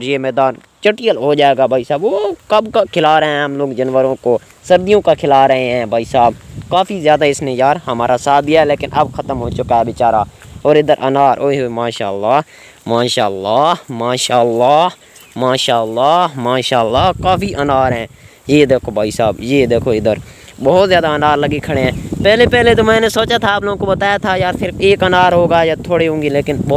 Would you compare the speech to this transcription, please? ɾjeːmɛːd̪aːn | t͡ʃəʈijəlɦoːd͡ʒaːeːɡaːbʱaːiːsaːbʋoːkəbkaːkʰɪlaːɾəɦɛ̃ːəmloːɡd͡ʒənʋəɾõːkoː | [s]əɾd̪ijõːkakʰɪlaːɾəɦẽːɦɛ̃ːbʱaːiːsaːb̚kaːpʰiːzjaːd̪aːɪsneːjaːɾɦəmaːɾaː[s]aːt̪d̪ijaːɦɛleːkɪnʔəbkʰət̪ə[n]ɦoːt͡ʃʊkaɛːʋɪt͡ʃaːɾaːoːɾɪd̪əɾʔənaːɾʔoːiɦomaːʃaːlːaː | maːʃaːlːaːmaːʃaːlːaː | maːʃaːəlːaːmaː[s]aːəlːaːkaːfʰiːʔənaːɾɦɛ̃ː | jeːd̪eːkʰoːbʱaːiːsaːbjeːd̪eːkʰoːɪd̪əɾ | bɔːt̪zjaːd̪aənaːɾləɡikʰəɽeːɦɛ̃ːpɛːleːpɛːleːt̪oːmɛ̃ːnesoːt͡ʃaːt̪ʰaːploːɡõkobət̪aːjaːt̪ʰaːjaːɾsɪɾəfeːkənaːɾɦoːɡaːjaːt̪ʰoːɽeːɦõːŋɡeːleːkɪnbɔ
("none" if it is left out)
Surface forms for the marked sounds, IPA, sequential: s, s, m, ʃ

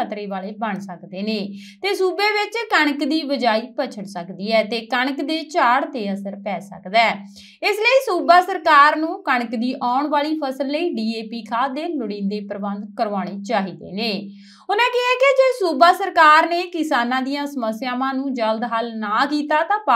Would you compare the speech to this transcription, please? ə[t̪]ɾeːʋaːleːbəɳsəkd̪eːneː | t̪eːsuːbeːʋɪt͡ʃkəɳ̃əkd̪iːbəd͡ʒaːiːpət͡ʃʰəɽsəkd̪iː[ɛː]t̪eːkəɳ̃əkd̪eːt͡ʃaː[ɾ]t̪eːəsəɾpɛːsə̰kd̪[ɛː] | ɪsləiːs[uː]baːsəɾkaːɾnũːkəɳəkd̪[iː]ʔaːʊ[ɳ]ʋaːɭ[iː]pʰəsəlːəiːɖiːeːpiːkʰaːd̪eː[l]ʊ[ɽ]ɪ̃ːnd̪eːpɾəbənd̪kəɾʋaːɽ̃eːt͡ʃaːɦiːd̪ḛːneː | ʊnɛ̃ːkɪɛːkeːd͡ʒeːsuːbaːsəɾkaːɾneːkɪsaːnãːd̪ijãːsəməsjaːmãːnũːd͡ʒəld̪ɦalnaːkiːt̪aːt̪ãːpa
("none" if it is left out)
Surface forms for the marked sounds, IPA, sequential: t̪, ɛː, ɽ, ɛː, uː, iː, ɳ, iː, l, ɽ

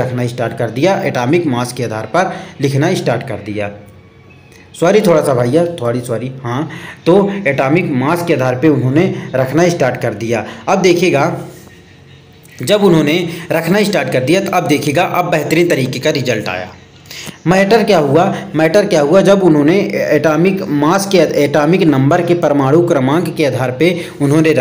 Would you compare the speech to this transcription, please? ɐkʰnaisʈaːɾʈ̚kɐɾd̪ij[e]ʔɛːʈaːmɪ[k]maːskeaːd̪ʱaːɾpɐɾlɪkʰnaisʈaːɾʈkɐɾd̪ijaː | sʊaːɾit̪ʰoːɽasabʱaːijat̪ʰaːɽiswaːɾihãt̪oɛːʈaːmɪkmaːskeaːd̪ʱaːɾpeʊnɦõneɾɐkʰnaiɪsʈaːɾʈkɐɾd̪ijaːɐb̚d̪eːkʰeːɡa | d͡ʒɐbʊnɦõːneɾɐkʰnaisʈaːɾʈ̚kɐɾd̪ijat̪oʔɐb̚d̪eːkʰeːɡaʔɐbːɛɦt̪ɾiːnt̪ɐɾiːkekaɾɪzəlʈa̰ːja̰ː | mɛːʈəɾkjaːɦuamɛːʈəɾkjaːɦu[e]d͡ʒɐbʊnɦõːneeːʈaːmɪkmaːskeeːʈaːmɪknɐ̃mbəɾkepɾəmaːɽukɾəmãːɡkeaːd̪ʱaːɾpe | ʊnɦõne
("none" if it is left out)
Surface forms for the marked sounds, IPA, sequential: a, k, a

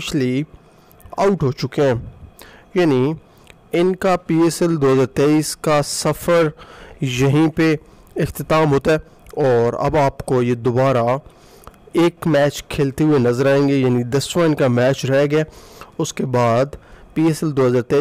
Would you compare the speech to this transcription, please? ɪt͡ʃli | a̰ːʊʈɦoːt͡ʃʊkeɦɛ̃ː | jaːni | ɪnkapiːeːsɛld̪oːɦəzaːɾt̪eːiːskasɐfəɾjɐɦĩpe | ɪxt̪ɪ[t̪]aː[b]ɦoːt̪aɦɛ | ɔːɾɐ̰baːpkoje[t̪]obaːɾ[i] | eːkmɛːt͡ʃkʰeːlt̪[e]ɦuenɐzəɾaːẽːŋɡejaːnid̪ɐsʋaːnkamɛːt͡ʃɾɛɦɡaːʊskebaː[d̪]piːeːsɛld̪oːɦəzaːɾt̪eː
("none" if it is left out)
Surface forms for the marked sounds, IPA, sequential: t̪, m, d̪, a, e, d̪

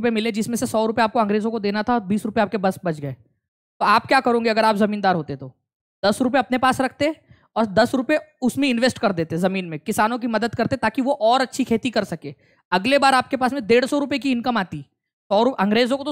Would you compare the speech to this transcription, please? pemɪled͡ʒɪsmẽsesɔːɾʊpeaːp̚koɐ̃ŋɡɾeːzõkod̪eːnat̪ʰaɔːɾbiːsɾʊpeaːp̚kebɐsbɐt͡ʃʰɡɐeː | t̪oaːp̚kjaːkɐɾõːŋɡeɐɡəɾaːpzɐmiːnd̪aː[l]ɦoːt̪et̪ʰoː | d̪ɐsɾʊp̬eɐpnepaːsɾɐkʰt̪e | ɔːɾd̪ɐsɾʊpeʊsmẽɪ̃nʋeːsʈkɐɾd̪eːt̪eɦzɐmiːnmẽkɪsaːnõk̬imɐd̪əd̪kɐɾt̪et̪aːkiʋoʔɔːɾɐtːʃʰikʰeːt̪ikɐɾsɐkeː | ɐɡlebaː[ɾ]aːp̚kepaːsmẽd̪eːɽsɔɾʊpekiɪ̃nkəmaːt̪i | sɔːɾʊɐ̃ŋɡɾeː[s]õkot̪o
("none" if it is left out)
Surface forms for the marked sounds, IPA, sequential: ɾ, ɾ, z

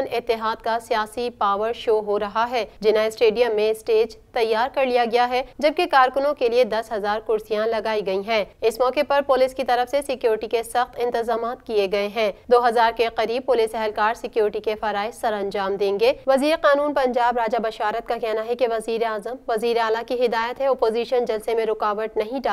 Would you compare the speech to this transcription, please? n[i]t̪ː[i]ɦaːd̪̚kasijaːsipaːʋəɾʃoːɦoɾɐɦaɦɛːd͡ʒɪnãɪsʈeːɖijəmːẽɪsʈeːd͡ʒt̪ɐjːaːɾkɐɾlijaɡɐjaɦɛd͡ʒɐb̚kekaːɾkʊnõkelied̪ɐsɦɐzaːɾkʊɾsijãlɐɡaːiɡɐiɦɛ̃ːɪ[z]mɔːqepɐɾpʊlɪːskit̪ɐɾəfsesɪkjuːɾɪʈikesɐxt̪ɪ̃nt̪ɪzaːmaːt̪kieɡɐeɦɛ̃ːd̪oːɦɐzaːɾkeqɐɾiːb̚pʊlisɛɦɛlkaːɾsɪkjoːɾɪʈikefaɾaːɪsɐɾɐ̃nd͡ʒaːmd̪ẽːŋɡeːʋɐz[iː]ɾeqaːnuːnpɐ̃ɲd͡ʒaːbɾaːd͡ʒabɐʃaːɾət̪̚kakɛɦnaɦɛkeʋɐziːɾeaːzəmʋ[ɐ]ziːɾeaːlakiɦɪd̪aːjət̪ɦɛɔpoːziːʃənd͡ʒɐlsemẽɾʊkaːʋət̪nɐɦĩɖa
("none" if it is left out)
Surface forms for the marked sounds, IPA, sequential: ɪ, ɪ, s, iː, ɐ

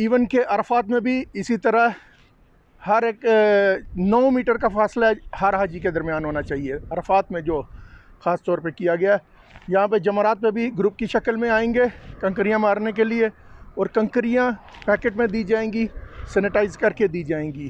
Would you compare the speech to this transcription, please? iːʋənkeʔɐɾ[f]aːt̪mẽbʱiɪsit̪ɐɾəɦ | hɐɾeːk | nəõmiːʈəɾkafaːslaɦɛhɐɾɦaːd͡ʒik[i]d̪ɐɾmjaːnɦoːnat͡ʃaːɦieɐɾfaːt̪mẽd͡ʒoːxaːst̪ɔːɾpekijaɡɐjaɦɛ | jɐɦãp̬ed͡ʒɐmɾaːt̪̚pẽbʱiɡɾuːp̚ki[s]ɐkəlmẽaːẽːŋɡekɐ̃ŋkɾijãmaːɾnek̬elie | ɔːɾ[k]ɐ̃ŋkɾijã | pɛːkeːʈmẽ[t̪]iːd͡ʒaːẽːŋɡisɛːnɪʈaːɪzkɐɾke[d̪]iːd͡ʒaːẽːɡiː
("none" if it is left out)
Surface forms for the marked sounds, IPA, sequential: f, e, ʃ, k, d̪, d̪

